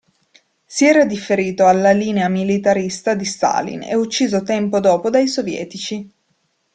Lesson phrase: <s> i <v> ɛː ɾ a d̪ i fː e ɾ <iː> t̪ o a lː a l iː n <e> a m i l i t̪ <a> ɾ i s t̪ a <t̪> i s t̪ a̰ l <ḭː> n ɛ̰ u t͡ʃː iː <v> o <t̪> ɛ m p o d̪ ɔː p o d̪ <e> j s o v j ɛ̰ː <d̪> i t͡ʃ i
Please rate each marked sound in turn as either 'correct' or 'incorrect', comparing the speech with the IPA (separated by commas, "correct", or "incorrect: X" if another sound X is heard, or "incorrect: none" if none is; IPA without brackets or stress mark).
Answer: correct, incorrect: none, correct, correct, correct, incorrect: d̪, incorrect: ḭ, incorrect: z, correct, incorrect: a, incorrect: t̪